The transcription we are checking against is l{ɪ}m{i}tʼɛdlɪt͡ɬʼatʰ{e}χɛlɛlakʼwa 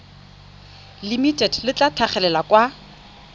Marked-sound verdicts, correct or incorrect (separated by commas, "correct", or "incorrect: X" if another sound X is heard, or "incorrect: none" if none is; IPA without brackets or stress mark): incorrect: i, correct, incorrect: a